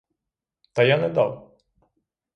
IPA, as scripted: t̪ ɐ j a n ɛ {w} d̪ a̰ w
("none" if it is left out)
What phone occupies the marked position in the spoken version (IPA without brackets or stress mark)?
none